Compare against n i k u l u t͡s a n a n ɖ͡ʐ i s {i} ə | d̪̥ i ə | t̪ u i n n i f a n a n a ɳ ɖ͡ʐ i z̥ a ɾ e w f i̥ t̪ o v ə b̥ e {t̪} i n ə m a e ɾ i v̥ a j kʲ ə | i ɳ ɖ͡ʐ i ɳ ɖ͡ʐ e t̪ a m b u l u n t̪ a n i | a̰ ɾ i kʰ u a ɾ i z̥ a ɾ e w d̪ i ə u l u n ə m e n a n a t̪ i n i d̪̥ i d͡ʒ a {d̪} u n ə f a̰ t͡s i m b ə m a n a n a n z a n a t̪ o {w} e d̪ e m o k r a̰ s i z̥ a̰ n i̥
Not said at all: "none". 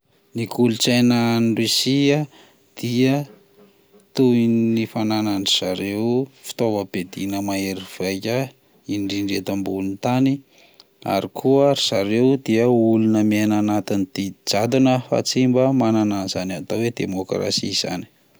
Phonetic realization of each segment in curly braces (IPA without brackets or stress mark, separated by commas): i, d̪, d̪, w